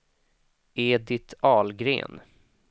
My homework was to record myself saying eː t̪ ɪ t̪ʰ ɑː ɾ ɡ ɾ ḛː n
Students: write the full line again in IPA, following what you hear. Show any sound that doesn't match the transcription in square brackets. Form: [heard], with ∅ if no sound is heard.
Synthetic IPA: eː [d̪] ɪ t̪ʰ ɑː [l] ɡ ɾ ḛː n